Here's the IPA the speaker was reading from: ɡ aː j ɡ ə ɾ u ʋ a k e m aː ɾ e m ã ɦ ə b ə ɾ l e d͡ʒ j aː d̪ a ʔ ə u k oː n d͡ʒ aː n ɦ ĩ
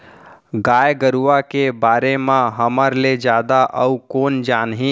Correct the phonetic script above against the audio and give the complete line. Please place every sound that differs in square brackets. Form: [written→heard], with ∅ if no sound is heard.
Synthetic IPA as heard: ɡ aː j ɡ ə ɾ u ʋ a k e [m→b] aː ɾ e m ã ɦ ə [b→m] ə ɾ l e d͡ʒ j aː d̪ a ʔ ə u k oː n d͡ʒ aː n ɦ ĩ